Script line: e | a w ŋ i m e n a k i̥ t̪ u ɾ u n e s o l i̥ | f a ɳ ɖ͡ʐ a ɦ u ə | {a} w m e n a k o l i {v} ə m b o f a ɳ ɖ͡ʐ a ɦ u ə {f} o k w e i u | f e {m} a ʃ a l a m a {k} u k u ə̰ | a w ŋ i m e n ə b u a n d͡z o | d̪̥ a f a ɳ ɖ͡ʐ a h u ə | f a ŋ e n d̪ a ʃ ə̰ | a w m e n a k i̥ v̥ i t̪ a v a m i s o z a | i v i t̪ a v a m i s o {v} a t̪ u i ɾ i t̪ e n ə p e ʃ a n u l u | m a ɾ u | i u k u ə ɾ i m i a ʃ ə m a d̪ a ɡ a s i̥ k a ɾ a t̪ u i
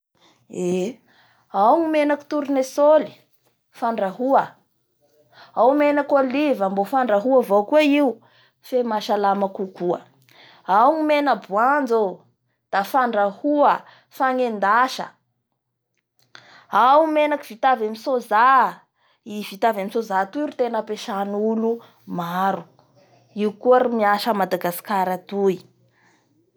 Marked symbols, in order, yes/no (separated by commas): yes, yes, no, yes, yes, no